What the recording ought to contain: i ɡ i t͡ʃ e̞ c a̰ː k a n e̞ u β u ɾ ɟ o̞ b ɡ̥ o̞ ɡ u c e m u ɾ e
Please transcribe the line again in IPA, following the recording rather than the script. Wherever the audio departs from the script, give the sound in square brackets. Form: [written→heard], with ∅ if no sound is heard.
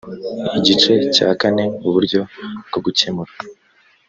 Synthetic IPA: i [ɡ→ɟ] i t͡ʃ e̞ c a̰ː k a n e̞ u β u ɾ ɟ o̞ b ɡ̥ o̞ ɡ u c e m u ɾ [e→a]